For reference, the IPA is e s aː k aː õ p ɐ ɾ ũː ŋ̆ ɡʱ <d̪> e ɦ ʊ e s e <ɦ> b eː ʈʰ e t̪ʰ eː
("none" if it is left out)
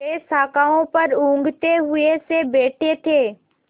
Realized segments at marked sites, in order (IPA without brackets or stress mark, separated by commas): t̪, none